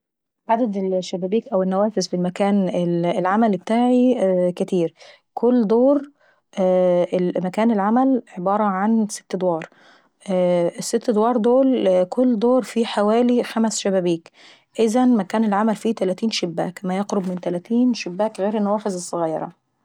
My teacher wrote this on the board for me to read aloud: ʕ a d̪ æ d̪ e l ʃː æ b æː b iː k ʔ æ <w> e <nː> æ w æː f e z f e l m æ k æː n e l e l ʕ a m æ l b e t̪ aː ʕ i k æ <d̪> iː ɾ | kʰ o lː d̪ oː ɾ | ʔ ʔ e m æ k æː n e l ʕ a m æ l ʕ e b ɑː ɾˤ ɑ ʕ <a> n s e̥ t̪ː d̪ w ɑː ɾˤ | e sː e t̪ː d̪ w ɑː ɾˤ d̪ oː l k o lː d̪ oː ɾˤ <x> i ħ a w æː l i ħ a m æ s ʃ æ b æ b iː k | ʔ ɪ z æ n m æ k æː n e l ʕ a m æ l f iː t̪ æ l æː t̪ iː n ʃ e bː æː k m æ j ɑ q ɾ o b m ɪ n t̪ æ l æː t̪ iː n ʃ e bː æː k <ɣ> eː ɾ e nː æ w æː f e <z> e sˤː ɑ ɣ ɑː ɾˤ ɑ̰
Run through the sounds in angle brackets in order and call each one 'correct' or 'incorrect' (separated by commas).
correct, correct, incorrect, correct, incorrect, correct, correct